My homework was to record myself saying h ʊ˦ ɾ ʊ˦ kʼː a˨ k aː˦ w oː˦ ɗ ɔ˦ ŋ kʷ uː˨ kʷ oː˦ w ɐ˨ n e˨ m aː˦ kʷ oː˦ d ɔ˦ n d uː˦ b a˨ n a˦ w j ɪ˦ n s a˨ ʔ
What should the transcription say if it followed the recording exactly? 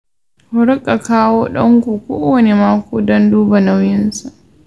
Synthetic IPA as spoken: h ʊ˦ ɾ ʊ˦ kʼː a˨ k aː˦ w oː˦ ɗ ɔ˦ ŋ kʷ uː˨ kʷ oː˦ w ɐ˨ n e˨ m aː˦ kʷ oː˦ d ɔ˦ n d uː˦ b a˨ n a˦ w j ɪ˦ n s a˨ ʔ